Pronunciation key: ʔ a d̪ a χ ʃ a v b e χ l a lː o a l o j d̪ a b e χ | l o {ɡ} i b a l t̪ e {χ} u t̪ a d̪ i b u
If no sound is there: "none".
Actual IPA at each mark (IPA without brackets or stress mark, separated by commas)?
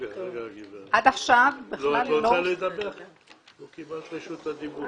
k, ʃ